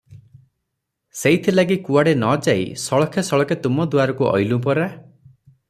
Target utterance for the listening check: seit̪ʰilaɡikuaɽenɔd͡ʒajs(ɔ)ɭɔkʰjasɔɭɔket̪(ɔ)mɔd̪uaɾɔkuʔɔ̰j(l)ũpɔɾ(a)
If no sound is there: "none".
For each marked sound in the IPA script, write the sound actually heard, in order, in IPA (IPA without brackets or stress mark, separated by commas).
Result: ɔ, u, l, a